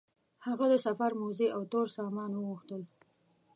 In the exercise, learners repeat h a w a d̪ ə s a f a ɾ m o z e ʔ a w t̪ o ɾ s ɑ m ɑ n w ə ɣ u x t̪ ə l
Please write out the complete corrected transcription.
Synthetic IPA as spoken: h a ɣ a d̪ ə s a f a ɾ m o z e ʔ a w t̪ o ɾ s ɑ m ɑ n w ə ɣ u x t̪ ə l